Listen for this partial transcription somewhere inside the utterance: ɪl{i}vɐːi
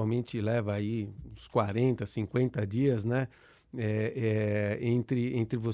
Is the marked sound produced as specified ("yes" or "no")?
no